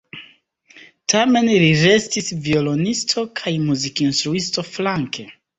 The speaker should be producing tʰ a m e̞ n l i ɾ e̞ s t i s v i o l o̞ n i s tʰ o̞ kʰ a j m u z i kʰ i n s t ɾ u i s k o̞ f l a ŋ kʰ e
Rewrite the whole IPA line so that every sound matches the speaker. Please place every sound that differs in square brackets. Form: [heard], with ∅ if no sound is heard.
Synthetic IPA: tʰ a m e̞ n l i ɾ e̞ s t i s v i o l o̞ n i s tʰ o̞ kʰ a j m u z i [k] i n s t ɾ u i s [t] o̞ f l a ŋ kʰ e